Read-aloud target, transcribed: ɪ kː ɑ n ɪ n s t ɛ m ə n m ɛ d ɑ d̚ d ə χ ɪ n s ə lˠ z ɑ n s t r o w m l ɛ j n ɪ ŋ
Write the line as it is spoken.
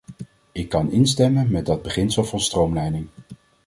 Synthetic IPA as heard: ɪ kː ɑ n ɪ n s t ɛ m ə n m ɛ d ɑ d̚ b ə χ ɪ n s ə lˠ v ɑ n s t r o w m l ɛ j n ɪ ŋ